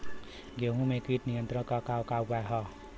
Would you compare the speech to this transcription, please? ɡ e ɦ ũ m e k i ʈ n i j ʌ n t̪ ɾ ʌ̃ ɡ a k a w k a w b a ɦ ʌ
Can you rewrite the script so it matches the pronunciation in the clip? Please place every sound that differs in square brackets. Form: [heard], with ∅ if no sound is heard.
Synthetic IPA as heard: ɡ e ɦ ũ m e k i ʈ n i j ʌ n t̪ ɾ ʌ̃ [k] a k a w k a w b a ɦ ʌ